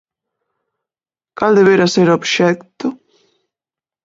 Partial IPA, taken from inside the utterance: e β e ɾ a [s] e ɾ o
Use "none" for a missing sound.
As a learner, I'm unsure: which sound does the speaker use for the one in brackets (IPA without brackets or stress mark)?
s